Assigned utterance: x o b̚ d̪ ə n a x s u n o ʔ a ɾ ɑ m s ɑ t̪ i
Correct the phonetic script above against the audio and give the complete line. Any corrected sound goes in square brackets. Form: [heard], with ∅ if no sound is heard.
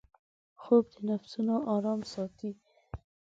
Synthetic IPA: x o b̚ d̪ ə n a [f] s u n o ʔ [ɑ] ɾ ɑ m s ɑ t̪ i